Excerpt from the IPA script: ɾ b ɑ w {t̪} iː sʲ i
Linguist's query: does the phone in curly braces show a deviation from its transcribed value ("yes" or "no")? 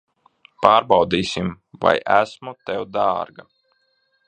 yes